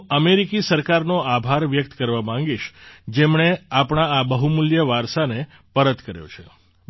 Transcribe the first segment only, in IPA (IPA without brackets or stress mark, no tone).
ə